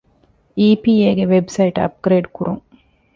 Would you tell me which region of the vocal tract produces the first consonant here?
lips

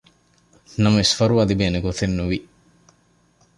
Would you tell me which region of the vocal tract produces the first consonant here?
tongue tip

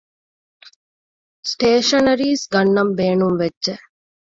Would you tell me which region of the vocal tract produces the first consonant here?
tongue tip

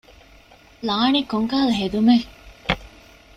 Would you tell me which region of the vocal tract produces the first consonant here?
tongue tip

